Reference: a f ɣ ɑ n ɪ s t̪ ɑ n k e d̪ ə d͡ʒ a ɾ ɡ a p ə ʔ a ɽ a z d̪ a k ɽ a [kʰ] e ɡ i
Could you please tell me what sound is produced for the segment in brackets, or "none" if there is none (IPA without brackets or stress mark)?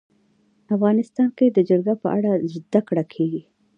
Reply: kʰ